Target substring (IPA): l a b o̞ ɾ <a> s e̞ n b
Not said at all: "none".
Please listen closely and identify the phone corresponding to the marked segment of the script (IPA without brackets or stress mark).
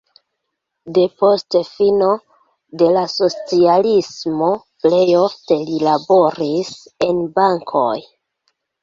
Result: i